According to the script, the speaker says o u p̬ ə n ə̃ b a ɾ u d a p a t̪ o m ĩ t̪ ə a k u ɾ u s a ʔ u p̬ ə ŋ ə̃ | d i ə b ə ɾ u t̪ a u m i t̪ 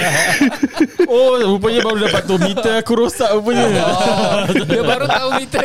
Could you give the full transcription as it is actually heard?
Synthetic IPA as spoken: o u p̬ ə ɲ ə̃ b a ɾ u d a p a t̪ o m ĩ t̪ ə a k u ɾ o s a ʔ u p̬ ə ɲ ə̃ | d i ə b a ɾ u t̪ a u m i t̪